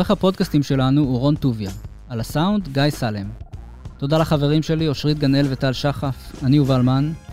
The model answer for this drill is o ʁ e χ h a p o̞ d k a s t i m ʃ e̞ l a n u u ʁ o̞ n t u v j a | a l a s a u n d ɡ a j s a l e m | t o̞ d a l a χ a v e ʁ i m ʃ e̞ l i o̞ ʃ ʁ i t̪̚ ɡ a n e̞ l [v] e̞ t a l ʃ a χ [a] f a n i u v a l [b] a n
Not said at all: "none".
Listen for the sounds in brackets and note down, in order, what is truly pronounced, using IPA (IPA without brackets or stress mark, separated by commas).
v, a, m